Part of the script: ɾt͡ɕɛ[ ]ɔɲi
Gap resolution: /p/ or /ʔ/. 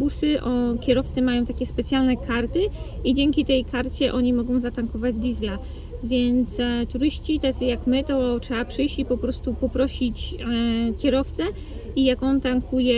ʔ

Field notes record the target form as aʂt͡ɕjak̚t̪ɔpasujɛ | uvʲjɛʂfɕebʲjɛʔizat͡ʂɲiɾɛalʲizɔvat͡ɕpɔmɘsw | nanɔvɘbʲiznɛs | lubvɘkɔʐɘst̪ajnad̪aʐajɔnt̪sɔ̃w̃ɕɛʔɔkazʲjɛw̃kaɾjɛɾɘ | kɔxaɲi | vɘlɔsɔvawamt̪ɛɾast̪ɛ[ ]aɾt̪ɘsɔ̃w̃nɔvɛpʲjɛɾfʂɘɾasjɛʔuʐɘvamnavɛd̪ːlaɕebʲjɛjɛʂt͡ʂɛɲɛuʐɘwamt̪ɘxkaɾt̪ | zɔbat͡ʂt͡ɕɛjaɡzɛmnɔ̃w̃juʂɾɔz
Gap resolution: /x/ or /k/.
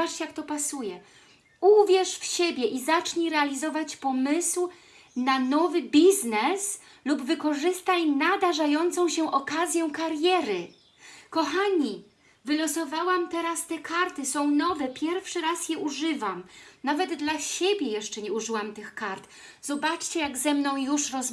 k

